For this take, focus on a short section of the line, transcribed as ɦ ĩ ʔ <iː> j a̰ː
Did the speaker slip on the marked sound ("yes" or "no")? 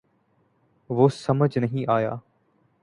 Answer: yes